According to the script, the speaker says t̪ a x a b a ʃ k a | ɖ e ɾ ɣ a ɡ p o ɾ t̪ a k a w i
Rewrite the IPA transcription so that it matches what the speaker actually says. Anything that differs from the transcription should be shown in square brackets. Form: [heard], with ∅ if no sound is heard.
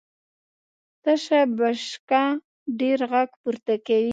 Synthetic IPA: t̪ a [ʃ] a b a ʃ k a | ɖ e ɾ ɣ a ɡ p [u] ɾ t̪ a k a w i